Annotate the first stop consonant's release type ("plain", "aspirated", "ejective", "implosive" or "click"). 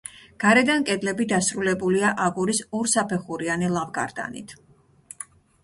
plain